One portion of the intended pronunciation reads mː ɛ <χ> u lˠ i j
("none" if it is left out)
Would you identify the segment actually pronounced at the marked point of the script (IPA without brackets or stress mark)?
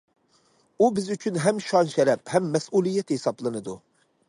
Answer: s